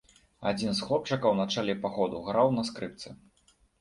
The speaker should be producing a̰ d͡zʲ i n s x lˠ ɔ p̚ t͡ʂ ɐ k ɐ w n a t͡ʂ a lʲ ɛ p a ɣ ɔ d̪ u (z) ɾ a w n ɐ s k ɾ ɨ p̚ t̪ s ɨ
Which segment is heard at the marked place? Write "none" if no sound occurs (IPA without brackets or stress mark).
ɣ